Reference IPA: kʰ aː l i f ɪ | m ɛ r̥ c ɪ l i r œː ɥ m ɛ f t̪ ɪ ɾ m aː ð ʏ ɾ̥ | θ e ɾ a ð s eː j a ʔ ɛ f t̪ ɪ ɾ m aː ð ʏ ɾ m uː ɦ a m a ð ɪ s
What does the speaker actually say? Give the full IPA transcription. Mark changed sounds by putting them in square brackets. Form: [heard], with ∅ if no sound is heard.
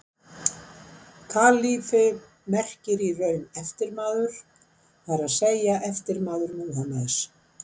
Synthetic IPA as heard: kʰ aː l i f ɪ | m ɛ r̥ c ɪ [ɾ] i r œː ɥ [n] ɛ f t̪ ɪ ɾ m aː ð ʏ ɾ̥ | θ [a] ɾ a ð s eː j a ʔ ɛ f t̪ ɪ ɾ m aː ð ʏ ɾ m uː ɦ a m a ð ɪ s